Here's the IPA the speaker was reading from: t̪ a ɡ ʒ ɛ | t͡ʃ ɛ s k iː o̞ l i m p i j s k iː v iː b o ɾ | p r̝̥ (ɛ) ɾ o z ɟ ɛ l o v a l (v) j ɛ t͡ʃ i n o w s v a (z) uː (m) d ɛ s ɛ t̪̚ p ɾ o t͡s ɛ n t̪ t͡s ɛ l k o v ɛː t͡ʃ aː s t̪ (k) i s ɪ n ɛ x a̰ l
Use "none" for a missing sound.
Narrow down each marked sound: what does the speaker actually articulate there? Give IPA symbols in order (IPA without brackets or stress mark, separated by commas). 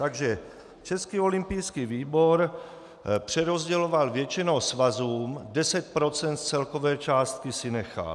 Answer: ɛ, v, z, m, k